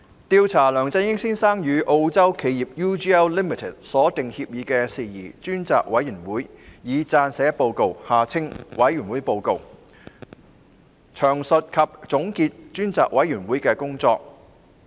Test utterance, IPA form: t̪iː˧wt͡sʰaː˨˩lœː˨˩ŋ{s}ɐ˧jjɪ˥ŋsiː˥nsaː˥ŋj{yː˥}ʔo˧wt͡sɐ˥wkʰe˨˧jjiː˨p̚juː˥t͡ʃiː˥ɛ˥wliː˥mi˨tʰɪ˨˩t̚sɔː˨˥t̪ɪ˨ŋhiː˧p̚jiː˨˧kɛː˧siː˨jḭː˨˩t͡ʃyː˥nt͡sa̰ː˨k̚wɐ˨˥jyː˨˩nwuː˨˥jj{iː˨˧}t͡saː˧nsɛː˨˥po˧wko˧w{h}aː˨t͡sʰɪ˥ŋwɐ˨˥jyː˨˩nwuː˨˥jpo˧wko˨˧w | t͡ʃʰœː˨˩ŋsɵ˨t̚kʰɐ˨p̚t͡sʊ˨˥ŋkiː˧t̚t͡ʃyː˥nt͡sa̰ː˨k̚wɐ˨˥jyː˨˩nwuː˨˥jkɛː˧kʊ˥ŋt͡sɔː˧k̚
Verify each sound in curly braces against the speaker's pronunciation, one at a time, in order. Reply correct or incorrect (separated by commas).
incorrect, incorrect, correct, correct